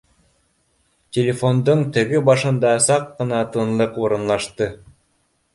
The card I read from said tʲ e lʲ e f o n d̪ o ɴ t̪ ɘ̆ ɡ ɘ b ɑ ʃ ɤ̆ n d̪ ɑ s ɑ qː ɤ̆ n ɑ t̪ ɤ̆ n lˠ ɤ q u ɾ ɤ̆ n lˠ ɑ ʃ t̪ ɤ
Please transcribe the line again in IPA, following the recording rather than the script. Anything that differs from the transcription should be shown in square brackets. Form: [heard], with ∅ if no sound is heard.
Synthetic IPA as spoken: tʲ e lʲ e f o n d̪ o ɴ t̪ ɘ̆ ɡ ɘ b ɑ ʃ ɤ̆ n d̪ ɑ s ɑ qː ɤ̆ n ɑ t̪ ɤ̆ n lˠ ɤ q u ɾ ɤ̆ n lˠ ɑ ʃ t̪ ɤ

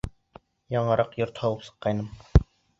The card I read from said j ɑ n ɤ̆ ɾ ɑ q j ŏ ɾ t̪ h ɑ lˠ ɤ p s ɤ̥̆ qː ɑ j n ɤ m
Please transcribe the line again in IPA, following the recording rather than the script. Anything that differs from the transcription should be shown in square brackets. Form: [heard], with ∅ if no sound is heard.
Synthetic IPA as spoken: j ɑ [ɴ] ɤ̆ ɾ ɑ q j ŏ ɾ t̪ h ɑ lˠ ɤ p s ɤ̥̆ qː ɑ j n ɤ m

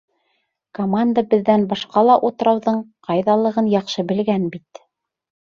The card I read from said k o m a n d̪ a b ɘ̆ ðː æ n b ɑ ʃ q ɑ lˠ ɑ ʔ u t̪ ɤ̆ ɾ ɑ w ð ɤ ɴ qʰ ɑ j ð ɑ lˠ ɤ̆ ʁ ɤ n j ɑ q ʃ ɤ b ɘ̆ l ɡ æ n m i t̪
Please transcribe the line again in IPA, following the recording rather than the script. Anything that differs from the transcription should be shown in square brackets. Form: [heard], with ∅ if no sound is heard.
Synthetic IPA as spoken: k o m a n d̪ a b ɘ̆ ðː æ n b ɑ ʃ q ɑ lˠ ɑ ʔ u t̪ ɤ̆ ɾ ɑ w ð ɤ ɴ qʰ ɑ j ð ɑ lˠ ɤ̆ ʁ ɤ n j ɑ q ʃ ɤ b ɘ̆ l ɡ æ n [b] i t̪

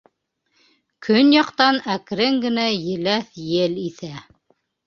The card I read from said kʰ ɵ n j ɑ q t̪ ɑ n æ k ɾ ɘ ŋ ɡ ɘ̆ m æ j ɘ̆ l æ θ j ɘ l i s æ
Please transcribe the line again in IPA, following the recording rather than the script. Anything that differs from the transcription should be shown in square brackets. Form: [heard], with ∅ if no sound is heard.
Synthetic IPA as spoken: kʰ ɵ n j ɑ q t̪ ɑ n æ k ɾ ɘ ŋ ɡ ɘ̆ [n] æ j ɘ̆ l æ θ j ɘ l i [θ] æ

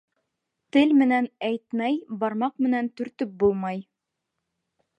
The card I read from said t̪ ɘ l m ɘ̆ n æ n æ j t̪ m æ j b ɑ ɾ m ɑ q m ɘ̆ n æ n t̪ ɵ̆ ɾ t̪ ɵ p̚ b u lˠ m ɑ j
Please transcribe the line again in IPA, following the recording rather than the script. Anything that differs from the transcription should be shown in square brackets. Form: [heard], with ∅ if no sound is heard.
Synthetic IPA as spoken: t̪ ɘ l m ɘ̆ n æ n æ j t̪ m æ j b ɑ ɾ m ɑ q m ɘ̆ n æ n t̪ ɵ̆ ɾ t̪ ɵ p̚ b u lˠ m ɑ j

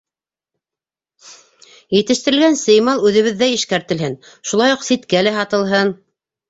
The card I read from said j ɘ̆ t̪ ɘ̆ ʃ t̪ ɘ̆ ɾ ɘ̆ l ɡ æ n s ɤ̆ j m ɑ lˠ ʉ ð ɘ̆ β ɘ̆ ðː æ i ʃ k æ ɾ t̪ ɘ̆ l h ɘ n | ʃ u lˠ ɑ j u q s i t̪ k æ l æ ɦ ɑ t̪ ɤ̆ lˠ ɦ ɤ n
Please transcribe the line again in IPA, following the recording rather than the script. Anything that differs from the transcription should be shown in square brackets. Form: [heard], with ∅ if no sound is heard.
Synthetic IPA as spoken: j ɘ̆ t̪ ɘ̆ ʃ t̪ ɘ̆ ɾ ɘ̆ l ɡ æ n s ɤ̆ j m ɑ lˠ ʉ ð ɘ̆ β ɘ̆ ðː æ i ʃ k æ ɾ t̪ ɘ̆ l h ɘ n | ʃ u lˠ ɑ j u q s i t̪ k æ l æ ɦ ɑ t̪ ɤ̆ lˠ ɦ ɤ n

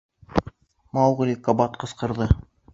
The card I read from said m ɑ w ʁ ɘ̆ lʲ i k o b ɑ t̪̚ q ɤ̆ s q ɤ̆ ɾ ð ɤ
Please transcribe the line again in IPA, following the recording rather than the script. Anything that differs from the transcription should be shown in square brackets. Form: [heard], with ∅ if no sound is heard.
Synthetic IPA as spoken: m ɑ w ʁ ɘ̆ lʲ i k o b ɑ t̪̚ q ɤ̆ s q ɤ̆ ɾ ð ɤ

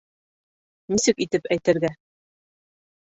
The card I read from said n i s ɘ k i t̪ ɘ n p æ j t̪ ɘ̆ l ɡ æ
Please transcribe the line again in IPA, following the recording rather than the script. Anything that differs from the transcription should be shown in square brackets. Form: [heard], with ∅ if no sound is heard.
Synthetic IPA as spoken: n i s ɘ k i t̪ ɘ [∅] p æ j t̪ ɘ̆ [ɾ] ɡ æ

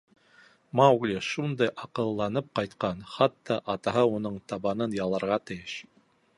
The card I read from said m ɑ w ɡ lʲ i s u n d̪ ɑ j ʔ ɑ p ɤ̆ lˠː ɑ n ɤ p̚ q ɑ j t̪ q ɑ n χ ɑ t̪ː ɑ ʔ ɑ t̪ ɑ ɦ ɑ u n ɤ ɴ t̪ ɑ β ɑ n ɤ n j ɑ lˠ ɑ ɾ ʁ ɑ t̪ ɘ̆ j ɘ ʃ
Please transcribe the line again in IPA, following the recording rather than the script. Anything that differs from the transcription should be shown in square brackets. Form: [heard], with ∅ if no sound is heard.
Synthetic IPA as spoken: m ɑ w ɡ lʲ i [ʃ] u n d̪ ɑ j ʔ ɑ [q] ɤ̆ lˠː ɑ n ɤ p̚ q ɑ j t̪ q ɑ n χ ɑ t̪ː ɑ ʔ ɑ t̪ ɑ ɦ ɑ u n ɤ ɴ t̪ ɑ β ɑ n ɤ n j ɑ lˠ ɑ ɾ ʁ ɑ t̪ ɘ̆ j ɘ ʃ

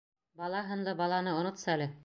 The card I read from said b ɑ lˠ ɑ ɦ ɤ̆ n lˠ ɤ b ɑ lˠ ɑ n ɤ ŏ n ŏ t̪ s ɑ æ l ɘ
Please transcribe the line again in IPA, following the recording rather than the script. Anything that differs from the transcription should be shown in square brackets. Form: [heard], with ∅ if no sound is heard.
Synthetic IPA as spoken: b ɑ lˠ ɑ ɦ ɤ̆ n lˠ ɤ b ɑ lˠ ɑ n ɤ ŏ n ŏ t̪ s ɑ æ l ɘ

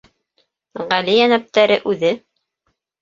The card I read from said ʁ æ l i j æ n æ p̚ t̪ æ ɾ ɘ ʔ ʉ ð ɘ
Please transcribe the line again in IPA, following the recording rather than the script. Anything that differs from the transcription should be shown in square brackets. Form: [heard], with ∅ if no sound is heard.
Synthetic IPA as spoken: ʁ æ l i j æ n æ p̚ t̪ æ ɾ ɘ ʔ ʉ ð ɘ

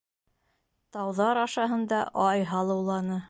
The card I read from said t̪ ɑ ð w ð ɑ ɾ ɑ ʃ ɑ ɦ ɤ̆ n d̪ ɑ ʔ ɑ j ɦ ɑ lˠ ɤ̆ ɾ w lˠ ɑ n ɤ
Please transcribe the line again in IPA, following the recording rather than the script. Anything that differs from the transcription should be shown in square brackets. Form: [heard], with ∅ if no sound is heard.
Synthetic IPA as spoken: t̪ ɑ [∅] w ð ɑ ɾ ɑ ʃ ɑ ɦ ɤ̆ n d̪ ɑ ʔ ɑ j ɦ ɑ lˠ ɤ̆ [∅] w lˠ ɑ n ɤ

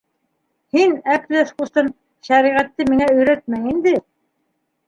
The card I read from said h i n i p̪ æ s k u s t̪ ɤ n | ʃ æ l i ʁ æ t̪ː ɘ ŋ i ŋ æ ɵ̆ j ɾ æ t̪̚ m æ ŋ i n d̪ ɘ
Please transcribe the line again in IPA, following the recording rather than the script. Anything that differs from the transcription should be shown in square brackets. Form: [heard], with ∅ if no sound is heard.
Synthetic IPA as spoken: h i n [æ] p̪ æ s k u s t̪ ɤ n | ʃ æ [ɾ] i ʁ æ t̪ː ɘ [m] i ŋ æ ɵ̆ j ɾ æ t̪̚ m æ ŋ i n d̪ ɘ

